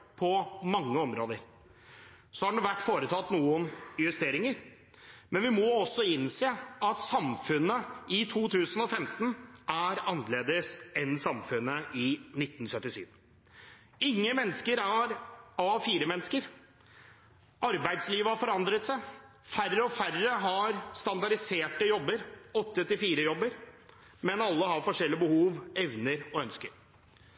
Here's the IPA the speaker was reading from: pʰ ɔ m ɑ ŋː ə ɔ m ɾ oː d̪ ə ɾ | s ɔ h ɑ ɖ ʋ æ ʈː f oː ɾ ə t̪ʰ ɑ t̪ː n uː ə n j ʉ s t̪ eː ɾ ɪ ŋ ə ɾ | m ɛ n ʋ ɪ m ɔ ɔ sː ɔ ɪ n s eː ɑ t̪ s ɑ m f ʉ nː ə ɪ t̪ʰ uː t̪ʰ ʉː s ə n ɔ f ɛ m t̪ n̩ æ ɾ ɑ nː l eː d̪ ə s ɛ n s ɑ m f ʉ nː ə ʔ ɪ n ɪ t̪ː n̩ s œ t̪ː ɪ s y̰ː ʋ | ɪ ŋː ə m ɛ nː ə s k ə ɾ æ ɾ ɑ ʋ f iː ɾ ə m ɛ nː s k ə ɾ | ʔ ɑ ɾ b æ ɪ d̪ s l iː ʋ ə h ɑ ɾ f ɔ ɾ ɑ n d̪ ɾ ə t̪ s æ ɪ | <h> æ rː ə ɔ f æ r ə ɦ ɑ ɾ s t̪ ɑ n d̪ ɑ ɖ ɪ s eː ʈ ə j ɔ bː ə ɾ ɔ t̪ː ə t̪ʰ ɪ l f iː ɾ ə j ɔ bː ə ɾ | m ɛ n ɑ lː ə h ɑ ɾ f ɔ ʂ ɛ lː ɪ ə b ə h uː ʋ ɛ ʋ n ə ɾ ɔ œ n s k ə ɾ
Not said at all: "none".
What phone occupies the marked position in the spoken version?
f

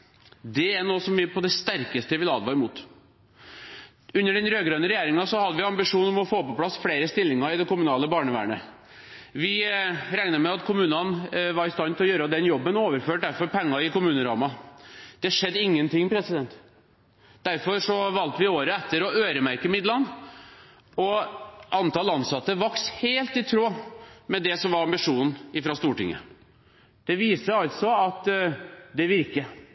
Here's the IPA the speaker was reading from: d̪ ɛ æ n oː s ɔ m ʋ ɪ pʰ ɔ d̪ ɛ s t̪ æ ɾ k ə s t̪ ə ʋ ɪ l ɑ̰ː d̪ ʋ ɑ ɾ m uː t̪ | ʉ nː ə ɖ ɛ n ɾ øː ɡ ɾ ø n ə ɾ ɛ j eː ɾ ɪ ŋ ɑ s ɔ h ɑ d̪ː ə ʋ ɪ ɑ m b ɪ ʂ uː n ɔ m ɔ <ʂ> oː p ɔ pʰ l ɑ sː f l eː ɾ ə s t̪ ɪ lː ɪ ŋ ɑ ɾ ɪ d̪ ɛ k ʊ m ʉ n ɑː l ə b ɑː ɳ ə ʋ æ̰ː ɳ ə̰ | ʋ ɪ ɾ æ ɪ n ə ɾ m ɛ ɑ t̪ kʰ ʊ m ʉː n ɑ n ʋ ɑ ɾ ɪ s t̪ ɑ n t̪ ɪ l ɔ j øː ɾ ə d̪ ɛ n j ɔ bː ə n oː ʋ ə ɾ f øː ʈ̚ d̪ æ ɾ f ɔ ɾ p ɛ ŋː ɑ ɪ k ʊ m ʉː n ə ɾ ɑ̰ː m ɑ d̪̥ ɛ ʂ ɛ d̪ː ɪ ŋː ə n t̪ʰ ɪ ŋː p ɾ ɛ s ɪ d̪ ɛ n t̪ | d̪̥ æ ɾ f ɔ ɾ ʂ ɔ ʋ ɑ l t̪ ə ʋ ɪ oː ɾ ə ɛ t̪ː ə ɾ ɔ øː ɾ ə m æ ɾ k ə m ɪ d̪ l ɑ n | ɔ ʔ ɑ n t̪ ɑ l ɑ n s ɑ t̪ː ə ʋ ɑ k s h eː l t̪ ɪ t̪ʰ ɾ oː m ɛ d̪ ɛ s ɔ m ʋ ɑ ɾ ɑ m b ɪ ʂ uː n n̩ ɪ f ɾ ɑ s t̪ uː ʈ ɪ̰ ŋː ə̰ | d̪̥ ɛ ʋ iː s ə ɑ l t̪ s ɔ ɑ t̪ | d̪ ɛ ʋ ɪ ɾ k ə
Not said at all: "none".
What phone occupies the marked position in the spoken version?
f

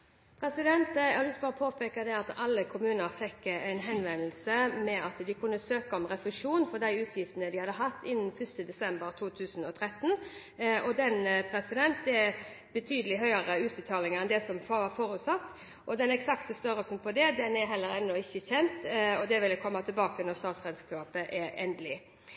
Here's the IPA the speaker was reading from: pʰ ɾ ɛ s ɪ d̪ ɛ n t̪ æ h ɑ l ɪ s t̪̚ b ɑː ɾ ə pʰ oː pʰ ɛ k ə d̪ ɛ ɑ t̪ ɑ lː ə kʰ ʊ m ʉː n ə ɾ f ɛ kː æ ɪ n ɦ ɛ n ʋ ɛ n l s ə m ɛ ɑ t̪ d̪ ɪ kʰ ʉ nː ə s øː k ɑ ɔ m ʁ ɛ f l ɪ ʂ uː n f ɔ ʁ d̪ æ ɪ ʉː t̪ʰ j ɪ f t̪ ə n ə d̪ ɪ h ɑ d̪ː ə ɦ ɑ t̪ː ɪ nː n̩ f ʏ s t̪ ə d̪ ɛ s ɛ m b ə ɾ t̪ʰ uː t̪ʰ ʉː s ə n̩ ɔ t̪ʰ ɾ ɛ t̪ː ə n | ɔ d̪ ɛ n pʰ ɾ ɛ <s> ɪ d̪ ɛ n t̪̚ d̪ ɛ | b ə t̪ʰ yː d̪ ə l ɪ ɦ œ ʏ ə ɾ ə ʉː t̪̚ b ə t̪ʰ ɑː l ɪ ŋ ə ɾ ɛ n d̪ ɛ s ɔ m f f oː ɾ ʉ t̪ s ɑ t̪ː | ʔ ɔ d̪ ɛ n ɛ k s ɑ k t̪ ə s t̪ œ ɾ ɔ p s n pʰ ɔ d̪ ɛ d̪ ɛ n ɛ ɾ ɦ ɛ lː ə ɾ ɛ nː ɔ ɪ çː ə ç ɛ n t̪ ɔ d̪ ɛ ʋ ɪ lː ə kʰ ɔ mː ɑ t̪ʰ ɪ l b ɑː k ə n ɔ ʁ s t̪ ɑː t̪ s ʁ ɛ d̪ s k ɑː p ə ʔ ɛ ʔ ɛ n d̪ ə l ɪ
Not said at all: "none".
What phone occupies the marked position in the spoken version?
s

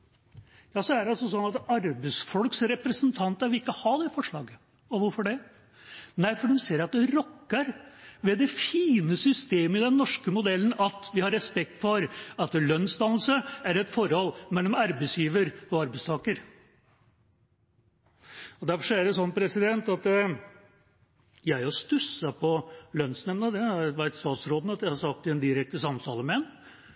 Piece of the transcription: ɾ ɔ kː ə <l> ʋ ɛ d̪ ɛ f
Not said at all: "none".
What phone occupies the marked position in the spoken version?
ɾ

